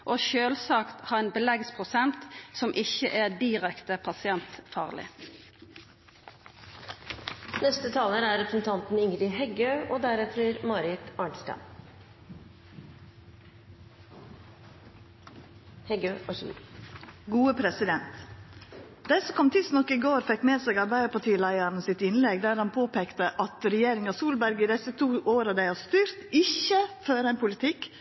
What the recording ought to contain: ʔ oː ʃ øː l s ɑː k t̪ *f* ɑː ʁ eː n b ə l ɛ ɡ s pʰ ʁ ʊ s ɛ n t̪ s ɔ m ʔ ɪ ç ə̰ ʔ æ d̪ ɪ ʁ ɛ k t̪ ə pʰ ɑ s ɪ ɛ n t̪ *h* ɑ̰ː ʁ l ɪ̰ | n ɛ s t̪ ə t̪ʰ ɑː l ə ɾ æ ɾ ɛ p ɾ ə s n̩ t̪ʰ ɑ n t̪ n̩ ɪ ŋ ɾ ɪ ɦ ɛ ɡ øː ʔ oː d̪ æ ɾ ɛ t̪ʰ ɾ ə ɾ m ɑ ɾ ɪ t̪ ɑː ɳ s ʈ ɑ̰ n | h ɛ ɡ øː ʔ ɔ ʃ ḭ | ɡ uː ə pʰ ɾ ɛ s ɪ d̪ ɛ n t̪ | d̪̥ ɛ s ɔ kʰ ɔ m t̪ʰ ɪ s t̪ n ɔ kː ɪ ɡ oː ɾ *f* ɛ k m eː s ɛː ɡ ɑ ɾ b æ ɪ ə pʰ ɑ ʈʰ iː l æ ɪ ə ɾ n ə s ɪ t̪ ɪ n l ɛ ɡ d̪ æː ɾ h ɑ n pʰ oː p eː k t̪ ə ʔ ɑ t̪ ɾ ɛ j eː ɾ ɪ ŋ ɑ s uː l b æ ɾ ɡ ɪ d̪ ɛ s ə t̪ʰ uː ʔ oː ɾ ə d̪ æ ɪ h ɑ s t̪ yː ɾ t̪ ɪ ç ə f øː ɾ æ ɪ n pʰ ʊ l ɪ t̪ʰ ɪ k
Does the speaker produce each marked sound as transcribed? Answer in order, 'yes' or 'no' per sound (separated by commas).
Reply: no, no, yes